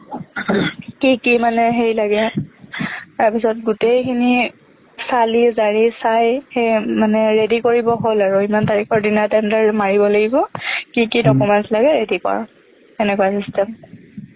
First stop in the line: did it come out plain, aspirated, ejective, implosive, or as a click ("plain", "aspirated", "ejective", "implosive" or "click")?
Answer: plain